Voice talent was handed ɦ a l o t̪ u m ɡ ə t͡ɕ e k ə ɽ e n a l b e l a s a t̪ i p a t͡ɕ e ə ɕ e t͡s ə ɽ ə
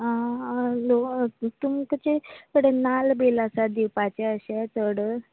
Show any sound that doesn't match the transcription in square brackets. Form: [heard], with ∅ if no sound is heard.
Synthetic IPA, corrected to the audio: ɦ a l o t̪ u m [k] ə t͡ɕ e k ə ɽ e n a l b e l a s a [d̪] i p a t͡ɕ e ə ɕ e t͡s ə ɽ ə